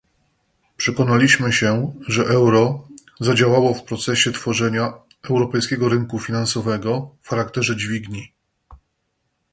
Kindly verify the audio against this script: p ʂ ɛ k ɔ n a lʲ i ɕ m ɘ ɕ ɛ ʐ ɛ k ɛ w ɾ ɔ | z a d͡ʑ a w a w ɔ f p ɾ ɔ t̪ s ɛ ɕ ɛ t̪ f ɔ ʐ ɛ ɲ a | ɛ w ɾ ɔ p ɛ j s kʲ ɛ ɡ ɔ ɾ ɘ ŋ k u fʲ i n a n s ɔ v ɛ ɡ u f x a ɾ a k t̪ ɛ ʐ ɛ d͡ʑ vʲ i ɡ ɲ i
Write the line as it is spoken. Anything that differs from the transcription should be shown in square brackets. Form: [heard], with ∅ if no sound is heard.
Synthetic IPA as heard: p ʂ ɛ k ɔ n a lʲ i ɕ m ɘ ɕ ɛ ʐ ɛ [ʔ] ɛ w ɾ ɔ | z a d͡ʑ a w a w ɔ f p ɾ ɔ t̪ s ɛ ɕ ɛ t̪ f ɔ ʐ ɛ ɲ a | ɛ w ɾ ɔ p ɛ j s kʲ ɛ ɡ ɔ ɾ ɘ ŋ k u fʲ i n a n s ɔ v ɛ ɡ [ɔ] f x a ɾ a k t̪ ɛ ʐ ɛ d͡ʑ vʲ i ɡ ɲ i